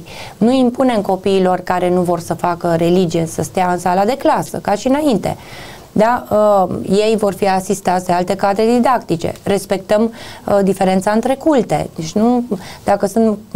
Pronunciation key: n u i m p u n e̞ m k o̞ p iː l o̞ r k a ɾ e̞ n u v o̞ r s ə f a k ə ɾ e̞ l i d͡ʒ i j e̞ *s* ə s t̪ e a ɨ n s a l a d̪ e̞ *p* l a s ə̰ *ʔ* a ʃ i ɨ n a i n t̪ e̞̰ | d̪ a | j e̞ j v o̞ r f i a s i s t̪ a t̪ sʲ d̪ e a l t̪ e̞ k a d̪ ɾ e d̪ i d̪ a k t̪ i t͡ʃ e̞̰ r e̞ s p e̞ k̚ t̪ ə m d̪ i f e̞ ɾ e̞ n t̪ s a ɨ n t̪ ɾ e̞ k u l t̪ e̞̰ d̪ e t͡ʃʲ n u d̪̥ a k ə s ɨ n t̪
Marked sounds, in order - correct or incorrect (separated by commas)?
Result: correct, incorrect, incorrect